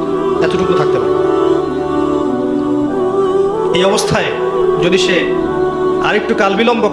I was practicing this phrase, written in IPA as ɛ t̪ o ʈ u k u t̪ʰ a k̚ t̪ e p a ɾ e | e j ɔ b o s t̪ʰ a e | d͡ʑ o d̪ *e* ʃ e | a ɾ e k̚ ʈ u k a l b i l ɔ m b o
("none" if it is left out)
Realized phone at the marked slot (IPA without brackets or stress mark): i